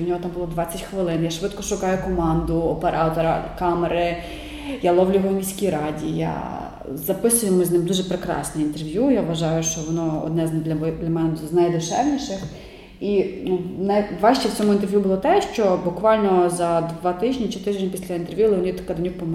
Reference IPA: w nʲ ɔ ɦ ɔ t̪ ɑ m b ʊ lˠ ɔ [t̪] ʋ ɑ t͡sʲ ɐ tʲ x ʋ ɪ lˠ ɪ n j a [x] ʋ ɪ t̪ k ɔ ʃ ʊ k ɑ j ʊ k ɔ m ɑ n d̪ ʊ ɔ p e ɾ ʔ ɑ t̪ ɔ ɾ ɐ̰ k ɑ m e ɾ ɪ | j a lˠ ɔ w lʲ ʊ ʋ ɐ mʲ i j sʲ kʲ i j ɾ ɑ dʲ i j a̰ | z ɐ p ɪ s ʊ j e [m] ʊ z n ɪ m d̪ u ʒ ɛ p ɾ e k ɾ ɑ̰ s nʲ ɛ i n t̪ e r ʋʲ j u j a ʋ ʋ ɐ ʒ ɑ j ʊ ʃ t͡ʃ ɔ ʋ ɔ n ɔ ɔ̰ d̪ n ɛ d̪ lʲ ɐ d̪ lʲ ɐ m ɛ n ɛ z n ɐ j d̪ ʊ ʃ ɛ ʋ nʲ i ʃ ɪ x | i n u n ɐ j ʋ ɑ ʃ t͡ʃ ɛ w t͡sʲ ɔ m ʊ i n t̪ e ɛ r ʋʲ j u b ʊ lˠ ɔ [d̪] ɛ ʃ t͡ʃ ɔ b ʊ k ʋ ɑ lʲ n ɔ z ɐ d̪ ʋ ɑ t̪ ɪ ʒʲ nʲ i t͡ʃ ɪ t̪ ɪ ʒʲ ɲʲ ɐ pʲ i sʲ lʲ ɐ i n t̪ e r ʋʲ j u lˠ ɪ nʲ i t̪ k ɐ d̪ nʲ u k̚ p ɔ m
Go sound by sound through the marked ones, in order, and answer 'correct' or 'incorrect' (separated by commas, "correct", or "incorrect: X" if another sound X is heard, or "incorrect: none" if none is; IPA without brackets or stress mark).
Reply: incorrect: d̪, incorrect: ʃ, correct, incorrect: t̪